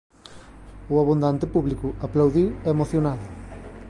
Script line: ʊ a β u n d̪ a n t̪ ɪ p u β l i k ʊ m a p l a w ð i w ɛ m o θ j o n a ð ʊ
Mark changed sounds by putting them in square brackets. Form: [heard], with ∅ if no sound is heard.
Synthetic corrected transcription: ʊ a β u n d̪ a n t̪ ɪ p u β l i k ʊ [∅] a p l a w ð i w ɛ m o θ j o n a ð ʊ